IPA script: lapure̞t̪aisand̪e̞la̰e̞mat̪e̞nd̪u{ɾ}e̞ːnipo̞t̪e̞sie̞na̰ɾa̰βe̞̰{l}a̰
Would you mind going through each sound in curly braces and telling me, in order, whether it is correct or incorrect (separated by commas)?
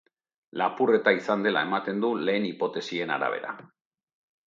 incorrect, incorrect